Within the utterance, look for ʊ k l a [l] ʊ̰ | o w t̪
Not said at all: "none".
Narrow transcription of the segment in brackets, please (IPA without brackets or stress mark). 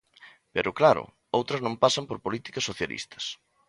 ɾ